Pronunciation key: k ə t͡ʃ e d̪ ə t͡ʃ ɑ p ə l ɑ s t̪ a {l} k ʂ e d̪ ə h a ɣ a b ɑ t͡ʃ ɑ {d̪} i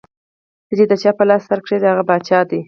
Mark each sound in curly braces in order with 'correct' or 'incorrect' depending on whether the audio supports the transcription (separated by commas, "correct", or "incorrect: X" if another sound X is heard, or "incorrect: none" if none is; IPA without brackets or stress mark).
incorrect: ɾ, correct